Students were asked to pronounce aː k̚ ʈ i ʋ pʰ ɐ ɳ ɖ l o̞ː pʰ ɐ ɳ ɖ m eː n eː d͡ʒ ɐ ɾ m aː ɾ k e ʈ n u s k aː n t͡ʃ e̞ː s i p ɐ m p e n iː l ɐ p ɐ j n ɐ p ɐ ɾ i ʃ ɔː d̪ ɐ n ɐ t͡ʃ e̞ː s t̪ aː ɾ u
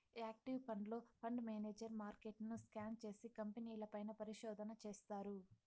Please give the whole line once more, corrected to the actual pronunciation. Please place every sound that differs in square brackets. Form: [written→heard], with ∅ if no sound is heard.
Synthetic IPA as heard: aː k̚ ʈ i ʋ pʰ ɐ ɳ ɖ l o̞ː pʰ ɐ ɳ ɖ m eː n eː d͡ʒ ɐ ɾ m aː ɾ k e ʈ n u s k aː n t͡ʃ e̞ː s i [p→k] ɐ m p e n iː l ɐ p ɐ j n ɐ p ɐ ɾ i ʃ ɔː d̪ ɐ n ɐ t͡ʃ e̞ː s t̪ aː ɾ u